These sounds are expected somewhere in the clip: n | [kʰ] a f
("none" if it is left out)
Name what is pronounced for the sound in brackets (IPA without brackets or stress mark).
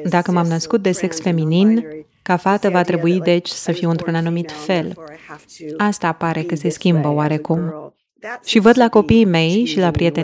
k